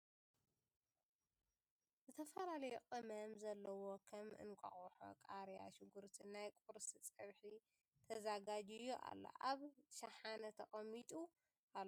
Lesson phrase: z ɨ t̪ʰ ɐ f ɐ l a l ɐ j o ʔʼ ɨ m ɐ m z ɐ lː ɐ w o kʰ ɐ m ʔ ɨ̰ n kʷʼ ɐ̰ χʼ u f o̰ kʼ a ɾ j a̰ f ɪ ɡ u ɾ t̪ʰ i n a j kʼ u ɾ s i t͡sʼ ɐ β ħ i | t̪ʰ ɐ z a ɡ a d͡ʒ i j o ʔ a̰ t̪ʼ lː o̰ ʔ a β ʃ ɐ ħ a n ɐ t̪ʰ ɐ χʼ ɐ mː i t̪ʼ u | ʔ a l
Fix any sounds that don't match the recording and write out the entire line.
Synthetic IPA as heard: z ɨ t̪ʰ ɐ f ɐ l a l ɐ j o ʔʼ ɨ m ɐ m z ɐ lː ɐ w o kʰ ɐ m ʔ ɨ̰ n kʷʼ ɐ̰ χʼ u ħ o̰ kʼ a ɾ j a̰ ʃ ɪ ɡ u ɾ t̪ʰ i n a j kʼ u ɾ s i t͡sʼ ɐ β ħ i | t̪ʰ ɐ z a ɡ a d͡ʒ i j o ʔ a̰ lː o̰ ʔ a β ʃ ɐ ħ a n ɐ t̪ʰ ɐ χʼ ɐ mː i t̪ʼ u | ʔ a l

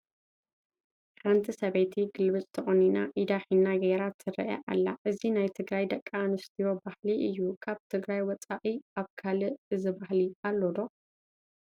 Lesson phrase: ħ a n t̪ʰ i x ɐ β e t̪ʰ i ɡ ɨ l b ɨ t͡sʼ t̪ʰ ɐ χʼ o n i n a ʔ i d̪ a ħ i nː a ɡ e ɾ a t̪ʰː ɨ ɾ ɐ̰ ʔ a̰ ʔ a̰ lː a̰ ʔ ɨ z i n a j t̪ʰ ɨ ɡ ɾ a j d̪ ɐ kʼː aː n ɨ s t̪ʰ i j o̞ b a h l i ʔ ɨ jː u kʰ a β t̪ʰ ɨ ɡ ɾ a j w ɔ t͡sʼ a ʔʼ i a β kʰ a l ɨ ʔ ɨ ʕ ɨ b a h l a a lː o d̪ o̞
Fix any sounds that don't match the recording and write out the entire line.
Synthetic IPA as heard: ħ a n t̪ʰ i s ɐ β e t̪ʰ i ɡ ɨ l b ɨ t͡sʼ t̪ʰ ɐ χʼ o n i n a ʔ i d̪ a ħ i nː a ɡ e ɾ a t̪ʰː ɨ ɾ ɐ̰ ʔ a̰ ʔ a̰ lː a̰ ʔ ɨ z i n a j t̪ʰ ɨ ɡ ɾ a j d̪ ɐ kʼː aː n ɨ s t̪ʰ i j o̞ b a h l i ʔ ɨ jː u kʰ a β t̪ʰ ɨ ɡ ɾ a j w ɔ t͡sʼ a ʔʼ i a β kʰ a l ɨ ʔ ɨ z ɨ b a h l i a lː o d̪ o̞

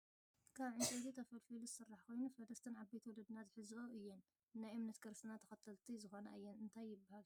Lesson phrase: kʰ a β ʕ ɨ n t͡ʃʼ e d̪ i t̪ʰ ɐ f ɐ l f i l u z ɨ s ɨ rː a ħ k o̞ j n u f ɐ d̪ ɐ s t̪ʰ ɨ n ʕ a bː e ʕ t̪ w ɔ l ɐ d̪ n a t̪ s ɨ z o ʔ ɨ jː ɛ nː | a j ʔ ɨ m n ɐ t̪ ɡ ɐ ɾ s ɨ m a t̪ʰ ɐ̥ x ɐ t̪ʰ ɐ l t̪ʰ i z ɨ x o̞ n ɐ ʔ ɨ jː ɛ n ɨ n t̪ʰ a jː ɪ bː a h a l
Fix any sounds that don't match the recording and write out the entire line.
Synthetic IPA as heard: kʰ a β ʕ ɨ n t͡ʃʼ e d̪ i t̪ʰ ɐ f ɐ l f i l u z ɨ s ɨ rː a ħ k o̞ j n u f ɐ d̪ ɐ s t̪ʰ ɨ n ʕ a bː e t̪ w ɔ l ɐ d̪ n a t̪ ħ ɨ z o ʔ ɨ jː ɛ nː | a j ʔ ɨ m n ɐ t̪ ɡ ɐ ɾ s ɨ n a t̪ʰ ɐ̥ x ɐ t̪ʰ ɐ l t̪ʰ i z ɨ x o̞ n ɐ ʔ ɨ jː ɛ n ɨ n t̪ʰ a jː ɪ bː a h a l

